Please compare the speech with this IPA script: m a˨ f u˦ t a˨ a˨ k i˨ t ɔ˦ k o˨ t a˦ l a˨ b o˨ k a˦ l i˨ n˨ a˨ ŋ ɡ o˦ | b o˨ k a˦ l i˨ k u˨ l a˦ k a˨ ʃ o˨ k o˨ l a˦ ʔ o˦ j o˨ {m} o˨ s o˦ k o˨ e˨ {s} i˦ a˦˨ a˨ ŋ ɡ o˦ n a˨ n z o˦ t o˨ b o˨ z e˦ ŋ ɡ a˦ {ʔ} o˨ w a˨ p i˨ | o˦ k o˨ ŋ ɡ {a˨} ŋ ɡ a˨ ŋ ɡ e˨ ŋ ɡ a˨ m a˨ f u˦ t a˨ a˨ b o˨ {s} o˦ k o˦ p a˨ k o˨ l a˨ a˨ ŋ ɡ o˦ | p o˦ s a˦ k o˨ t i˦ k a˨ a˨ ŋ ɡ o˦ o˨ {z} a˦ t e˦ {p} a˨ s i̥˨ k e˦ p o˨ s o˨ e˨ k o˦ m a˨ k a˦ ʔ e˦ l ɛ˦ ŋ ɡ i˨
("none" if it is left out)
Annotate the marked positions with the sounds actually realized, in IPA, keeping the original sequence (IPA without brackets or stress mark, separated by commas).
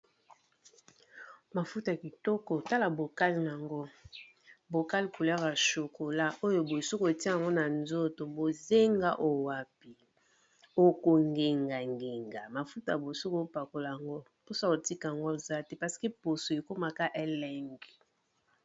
b, t, ʔ, e˨, s, z, p